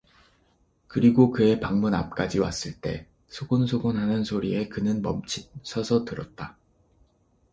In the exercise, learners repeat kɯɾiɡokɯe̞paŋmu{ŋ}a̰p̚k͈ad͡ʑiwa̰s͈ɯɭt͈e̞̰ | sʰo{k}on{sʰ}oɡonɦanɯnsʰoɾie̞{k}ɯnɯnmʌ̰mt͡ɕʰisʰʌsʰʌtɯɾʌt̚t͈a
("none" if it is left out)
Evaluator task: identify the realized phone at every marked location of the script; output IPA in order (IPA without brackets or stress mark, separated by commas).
n, ɡ, sʰ, k